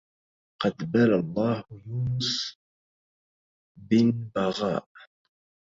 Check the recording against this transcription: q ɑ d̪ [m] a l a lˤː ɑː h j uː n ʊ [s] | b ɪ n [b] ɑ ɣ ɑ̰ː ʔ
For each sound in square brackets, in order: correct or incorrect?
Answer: incorrect: b, correct, correct

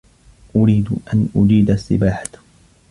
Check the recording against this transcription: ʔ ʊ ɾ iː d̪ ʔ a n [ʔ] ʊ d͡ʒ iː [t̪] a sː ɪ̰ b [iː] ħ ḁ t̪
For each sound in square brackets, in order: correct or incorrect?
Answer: correct, incorrect: d̪, incorrect: aː

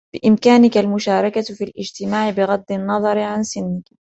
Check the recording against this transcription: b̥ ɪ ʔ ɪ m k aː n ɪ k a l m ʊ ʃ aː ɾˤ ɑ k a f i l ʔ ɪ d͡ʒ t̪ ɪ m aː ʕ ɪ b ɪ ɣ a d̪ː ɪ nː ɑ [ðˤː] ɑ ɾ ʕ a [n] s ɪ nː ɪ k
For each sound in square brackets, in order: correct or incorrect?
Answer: incorrect: ðˤ, correct

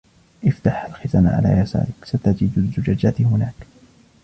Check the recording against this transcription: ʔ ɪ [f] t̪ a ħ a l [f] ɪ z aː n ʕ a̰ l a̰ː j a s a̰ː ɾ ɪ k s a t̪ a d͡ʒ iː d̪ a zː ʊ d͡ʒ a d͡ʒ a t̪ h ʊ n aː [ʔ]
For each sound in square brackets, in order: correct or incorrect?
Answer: correct, incorrect: x, incorrect: k

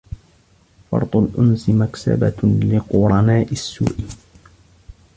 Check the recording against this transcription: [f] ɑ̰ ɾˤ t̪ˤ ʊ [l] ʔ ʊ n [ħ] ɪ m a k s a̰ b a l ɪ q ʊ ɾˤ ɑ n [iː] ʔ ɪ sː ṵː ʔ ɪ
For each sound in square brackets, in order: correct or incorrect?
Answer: correct, correct, incorrect: s, incorrect: aː

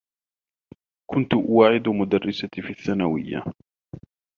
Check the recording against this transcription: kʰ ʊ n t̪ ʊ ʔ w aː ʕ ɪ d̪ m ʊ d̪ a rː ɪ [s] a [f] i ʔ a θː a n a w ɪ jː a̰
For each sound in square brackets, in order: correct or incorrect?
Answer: correct, correct

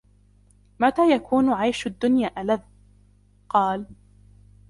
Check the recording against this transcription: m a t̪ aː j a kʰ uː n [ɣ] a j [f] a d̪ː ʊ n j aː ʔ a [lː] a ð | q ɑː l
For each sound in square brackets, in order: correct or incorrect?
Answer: incorrect: ʕ, incorrect: ʃ, incorrect: l

